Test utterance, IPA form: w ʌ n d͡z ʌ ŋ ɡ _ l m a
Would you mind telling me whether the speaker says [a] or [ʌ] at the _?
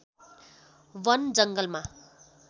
ʌ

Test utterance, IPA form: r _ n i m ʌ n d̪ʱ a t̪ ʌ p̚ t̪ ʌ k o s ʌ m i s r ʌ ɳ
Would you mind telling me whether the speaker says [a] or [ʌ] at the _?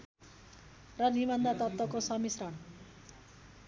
ʌ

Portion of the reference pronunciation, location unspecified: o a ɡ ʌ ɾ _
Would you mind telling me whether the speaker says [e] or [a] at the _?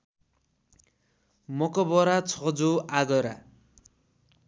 a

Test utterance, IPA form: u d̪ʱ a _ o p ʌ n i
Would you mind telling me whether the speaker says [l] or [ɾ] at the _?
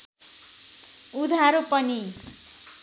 ɾ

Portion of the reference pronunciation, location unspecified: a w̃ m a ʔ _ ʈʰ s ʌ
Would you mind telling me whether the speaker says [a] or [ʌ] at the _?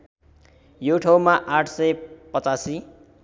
a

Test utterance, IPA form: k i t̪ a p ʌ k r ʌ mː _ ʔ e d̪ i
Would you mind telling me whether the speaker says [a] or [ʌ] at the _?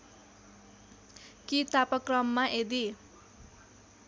a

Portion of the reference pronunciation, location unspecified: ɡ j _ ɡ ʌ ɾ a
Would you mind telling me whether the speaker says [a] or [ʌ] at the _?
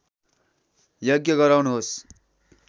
ʌ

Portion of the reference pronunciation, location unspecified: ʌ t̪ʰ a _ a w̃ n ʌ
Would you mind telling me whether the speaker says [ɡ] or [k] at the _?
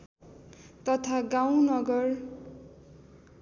ɡ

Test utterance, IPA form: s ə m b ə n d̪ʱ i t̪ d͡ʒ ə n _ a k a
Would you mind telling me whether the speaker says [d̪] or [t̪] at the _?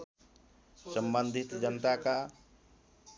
t̪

